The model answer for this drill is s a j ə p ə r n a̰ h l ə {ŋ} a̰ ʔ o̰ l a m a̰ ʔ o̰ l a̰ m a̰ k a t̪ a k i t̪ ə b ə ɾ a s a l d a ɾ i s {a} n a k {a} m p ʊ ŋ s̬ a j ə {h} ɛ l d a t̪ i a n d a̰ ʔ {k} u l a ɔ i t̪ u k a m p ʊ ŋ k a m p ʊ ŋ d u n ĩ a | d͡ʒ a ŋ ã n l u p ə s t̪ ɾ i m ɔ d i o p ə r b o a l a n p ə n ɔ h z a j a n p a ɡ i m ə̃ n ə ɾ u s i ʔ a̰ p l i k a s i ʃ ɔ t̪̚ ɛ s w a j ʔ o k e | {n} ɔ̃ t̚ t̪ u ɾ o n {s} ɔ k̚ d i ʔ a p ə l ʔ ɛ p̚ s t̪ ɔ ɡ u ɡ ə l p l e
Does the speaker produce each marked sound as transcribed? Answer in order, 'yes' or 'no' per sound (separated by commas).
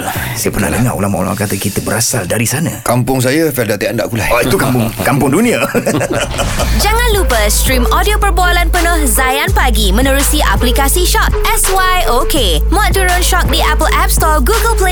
yes, yes, yes, no, yes, no, no